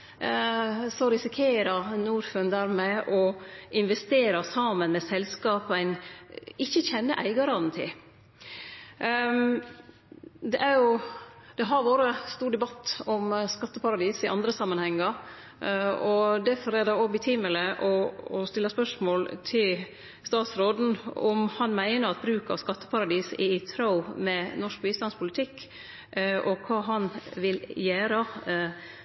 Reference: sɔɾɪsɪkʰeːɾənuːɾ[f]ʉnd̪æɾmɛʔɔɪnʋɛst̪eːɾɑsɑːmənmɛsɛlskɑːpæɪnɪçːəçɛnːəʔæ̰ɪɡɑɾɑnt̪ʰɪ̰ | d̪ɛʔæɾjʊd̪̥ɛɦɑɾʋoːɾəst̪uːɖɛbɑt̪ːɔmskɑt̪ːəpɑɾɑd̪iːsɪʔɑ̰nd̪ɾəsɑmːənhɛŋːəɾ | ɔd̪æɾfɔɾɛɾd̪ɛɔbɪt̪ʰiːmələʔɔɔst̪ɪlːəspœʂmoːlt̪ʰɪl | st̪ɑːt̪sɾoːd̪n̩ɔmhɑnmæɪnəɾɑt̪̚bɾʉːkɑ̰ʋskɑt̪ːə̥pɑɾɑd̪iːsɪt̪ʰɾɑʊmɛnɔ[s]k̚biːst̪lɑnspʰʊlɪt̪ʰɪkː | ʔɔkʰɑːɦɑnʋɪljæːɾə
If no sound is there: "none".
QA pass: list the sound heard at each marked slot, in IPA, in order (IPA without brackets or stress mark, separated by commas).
f, ʂ